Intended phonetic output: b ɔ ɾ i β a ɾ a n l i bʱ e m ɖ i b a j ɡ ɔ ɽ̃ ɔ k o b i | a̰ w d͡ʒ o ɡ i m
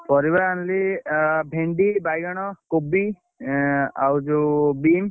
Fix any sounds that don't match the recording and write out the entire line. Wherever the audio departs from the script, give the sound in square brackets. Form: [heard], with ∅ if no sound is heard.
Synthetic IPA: [p] ɔ ɾ i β a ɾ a n l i bʱ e [ɳ] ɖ i b a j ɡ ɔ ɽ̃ ɔ k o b i | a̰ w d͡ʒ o [b] i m